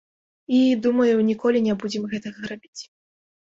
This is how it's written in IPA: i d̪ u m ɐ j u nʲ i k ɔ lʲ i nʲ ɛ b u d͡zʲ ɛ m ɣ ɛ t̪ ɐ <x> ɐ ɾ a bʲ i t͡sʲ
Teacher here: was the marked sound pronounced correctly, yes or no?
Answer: no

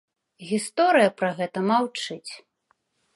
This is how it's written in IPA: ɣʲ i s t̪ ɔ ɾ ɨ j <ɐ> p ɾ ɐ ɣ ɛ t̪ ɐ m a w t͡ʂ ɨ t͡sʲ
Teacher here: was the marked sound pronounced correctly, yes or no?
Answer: yes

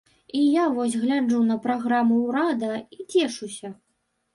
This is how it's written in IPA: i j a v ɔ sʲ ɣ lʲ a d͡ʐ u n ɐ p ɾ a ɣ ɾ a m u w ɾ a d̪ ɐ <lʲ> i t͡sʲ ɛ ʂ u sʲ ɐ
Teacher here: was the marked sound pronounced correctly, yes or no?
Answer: no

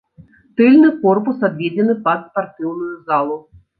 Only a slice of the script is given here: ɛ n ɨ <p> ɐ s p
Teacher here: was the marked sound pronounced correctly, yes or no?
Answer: yes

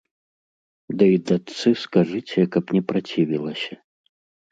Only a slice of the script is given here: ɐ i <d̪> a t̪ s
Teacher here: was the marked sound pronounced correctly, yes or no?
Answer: yes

